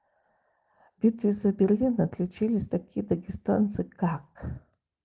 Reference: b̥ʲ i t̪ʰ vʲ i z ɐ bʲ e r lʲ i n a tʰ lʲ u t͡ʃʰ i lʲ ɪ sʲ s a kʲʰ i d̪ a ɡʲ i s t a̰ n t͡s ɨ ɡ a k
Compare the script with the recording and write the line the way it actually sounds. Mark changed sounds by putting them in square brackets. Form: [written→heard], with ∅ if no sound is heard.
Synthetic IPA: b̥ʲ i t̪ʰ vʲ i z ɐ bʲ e r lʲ i n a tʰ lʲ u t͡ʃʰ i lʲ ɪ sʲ [s→t] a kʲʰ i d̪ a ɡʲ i s t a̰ n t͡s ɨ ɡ a k